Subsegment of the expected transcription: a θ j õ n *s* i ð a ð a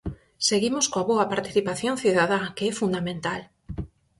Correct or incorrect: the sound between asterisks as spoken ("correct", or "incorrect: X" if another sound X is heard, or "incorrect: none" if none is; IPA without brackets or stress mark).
incorrect: θ